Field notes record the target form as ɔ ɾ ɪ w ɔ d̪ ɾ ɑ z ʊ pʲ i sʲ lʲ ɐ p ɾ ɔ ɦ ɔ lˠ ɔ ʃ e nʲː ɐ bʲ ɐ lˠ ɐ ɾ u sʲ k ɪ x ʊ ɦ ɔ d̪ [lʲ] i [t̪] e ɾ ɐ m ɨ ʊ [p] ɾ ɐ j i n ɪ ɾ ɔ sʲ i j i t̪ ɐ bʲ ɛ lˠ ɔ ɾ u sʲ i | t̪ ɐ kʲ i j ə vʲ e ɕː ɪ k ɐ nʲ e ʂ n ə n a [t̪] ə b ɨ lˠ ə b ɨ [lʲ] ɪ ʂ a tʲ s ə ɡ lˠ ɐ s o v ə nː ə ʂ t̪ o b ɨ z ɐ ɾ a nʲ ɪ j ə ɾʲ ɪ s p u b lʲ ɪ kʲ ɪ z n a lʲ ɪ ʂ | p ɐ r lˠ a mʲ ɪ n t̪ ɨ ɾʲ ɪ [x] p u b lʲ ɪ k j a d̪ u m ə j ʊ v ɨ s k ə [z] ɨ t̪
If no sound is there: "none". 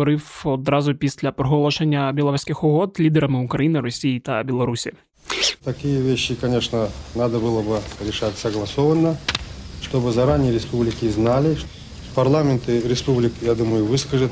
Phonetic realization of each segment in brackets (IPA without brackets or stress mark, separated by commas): lʲ, d̪, k, d̪, ɾʲ, s, ʐ